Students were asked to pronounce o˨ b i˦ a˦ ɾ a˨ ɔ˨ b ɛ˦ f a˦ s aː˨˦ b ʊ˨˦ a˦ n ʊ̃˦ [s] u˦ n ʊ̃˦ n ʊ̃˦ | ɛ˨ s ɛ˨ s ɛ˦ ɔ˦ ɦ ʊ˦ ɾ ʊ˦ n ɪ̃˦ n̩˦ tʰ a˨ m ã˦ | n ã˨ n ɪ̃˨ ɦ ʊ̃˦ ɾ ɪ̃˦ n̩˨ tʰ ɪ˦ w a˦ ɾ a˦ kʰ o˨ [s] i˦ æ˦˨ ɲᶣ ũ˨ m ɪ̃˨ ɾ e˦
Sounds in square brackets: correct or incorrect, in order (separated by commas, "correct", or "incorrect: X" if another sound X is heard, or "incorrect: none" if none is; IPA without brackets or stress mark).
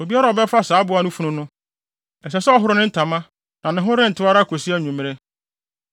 incorrect: f, correct